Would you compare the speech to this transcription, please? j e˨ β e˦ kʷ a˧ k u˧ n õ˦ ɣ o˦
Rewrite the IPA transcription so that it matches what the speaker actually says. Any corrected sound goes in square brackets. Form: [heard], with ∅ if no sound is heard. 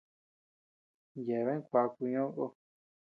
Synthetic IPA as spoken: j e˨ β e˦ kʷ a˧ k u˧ [ɲ] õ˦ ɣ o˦